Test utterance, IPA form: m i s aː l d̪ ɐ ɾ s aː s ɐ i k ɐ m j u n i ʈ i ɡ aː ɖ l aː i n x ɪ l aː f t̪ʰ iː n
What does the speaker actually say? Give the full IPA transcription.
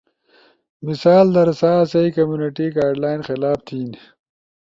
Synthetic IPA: m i s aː l d̪ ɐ ɾ s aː s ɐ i k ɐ m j u n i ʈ i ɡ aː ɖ l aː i n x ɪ l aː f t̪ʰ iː n